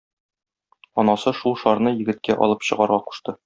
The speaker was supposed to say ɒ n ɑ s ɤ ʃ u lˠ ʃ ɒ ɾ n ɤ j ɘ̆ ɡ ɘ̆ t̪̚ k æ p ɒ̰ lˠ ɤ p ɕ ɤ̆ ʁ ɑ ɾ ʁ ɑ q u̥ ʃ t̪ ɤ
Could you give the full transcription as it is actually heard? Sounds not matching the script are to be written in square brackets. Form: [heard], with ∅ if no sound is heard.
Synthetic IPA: ɒ n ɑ s ɤ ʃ u lˠ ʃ ɒ ɾ n ɤ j ɘ̆ ɡ ɘ̆ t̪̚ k æ [ʔ] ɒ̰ lˠ ɤ p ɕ ɤ̆ ʁ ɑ ɾ ʁ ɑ q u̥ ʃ t̪ ɤ